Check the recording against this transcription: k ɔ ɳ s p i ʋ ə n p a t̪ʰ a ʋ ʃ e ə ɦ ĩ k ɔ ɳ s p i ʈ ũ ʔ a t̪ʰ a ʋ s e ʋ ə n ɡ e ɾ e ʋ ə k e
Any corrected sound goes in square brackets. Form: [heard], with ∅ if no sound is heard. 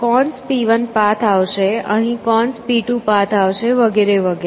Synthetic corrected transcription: k ɔ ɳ s p i ʋ ə n p a t̪ʰ a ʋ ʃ e ə ɦ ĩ k ɔ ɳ s p i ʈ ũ [p] a t̪ʰ a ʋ [ʃ] e ʋ ə [∅] ɡ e ɾ e ʋ ə [ɡ] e